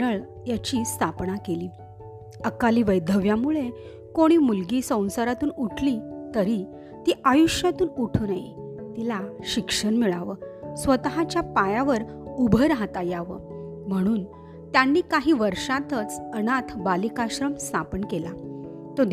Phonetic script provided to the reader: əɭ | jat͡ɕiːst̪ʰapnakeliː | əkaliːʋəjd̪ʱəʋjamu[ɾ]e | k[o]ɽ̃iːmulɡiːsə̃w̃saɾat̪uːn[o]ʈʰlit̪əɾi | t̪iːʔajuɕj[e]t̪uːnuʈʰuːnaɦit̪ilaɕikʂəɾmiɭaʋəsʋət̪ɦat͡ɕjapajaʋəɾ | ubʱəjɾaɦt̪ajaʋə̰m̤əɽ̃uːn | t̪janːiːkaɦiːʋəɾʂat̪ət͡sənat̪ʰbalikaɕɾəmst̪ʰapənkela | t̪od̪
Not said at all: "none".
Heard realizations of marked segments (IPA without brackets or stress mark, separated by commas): ɭ, o, u, a